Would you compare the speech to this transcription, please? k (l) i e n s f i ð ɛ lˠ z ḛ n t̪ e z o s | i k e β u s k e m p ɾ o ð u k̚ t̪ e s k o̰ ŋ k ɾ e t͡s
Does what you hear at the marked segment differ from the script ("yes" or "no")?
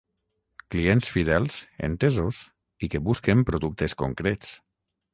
no